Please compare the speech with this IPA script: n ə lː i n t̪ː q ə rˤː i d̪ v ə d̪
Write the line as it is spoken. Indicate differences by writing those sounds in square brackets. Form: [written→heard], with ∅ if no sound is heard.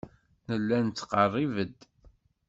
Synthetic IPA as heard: n ə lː [i→æ] n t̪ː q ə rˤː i [d̪→∅] v ə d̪